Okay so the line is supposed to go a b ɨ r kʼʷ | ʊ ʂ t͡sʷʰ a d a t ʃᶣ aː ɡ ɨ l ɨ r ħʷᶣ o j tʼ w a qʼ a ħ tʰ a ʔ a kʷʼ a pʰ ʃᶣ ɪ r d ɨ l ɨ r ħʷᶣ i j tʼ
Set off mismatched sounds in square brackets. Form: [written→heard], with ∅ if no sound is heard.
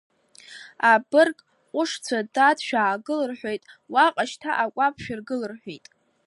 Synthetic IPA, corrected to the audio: a b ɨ r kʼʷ | ʊ ʂ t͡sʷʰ a d a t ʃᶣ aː ɡ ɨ l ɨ r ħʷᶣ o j tʼ w a qʼ a [ħ→ʃ] tʰ a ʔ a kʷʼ a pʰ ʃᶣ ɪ r [d→ɡ] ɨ l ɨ r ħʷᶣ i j tʼ